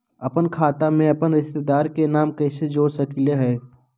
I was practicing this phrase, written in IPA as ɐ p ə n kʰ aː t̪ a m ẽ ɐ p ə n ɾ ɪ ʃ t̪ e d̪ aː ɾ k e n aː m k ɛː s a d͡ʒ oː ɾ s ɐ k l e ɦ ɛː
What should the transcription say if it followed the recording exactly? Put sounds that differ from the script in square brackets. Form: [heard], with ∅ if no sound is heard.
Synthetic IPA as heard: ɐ p ə n kʰ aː t̪ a m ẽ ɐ p ə n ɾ ɪ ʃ t̪ e d̪ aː ɾ k e n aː m k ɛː s [e] d͡ʒ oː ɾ s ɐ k l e ɦ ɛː